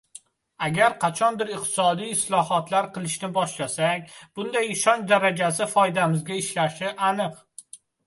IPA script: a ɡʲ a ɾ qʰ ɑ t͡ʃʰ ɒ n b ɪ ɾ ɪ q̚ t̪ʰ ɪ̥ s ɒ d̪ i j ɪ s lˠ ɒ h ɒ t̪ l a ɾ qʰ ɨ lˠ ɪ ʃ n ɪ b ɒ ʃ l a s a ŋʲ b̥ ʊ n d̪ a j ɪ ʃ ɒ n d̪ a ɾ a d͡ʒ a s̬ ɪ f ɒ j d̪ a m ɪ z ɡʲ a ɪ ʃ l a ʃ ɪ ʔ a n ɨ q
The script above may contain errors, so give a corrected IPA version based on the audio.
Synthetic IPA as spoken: a ɡʲ a ɾ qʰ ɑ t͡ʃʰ ɒ n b ɪ ɾ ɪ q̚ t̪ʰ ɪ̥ s ɒ d̪ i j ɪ s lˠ ɒ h ɒ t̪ l a ɾ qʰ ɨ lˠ ɪ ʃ n ɪ b ɒ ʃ l a s a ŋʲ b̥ ʊ n d̪ a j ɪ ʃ ɒ n d̪ a ɾ a d͡ʒ a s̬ ɪ f ɒ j d̪ a m ɪ z ɡʲ a ɪ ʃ l a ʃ ɪ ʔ a n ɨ q